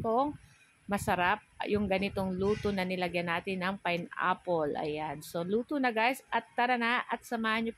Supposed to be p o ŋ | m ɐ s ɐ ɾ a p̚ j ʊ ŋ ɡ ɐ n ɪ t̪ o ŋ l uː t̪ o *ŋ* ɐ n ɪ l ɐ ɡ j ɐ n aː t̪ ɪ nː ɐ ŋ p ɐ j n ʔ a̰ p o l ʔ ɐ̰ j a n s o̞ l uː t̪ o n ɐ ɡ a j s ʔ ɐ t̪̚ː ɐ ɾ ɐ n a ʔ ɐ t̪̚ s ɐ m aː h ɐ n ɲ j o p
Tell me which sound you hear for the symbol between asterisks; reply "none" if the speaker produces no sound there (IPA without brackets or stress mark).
n